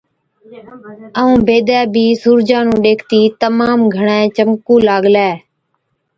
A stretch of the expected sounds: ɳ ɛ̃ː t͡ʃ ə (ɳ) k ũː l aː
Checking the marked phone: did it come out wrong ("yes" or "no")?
yes